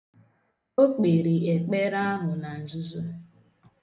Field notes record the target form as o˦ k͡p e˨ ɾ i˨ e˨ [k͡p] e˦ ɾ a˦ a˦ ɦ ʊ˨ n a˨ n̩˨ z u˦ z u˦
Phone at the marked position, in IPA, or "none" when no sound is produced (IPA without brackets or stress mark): k͡p